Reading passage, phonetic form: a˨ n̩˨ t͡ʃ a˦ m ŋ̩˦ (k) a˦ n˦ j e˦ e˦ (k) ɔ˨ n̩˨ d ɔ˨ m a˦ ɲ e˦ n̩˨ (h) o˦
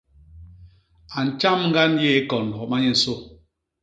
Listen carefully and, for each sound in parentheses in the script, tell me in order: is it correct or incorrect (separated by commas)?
incorrect, correct, incorrect